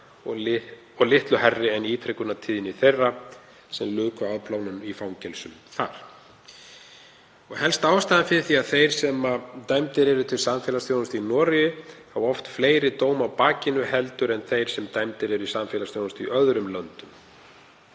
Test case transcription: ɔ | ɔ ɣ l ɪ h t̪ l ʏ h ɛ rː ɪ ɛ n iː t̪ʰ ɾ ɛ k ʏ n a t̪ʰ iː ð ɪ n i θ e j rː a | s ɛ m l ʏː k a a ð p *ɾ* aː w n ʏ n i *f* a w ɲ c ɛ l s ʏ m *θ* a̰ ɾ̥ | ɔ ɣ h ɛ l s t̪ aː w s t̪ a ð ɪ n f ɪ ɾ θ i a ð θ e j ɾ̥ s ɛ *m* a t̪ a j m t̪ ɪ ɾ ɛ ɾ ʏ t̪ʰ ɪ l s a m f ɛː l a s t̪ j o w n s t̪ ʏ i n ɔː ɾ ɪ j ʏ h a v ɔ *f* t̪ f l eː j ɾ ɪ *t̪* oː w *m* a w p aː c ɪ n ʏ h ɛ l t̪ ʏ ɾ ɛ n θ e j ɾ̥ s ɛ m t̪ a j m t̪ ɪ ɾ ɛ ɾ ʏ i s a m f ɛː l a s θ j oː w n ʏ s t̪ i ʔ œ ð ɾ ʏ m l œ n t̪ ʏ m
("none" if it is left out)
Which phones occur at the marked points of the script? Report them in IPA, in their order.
l, f, θ, m, f, t̪, m

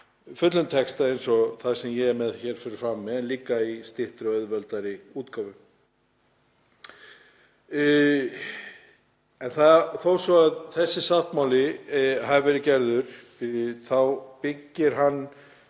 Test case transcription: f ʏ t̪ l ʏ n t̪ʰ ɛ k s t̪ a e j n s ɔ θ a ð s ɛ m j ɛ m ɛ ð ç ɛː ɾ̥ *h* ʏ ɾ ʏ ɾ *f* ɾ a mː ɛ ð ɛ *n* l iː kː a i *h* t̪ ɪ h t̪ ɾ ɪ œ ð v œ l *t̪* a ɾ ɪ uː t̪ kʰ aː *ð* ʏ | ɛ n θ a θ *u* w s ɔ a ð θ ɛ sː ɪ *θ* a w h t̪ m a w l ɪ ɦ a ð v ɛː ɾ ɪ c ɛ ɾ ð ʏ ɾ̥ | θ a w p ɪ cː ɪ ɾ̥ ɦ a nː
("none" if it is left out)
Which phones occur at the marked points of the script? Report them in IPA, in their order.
f, f, n, s, t̪, v, o, s

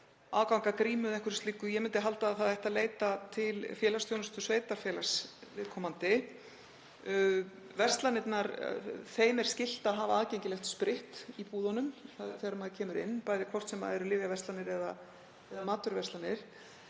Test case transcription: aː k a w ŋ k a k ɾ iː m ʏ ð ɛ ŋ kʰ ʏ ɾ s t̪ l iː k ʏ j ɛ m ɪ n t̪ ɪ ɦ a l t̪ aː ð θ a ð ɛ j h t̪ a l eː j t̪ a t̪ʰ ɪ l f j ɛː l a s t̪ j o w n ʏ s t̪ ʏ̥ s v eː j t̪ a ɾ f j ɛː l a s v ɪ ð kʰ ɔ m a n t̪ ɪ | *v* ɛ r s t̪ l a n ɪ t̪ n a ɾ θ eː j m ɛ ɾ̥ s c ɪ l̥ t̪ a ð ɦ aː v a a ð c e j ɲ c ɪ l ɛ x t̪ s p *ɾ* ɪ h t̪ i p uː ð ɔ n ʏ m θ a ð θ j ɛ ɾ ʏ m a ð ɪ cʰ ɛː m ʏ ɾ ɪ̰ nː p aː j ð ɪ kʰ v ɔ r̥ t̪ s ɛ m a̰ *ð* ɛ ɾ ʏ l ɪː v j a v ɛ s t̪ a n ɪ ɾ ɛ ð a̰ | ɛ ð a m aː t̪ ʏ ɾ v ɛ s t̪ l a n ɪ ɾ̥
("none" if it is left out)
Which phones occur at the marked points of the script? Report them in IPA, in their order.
v, ɾ, ð

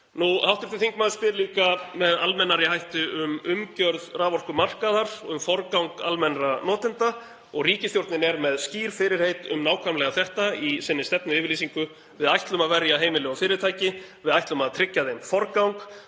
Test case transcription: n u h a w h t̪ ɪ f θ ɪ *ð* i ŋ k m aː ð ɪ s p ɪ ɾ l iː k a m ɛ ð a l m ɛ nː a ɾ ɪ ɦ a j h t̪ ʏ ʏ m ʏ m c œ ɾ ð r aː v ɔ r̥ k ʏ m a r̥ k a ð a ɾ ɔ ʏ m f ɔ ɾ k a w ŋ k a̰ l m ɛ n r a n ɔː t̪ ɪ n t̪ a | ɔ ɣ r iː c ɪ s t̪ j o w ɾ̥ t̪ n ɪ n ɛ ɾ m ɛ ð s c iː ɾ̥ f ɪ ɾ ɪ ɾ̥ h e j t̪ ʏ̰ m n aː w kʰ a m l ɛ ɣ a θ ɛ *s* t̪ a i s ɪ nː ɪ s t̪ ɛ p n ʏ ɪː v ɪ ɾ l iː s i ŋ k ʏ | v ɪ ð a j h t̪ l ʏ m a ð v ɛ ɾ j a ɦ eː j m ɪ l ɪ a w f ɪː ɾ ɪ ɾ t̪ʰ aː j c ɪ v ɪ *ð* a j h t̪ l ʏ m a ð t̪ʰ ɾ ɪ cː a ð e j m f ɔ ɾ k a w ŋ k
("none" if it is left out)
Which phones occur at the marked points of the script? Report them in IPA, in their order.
θ, h, ð

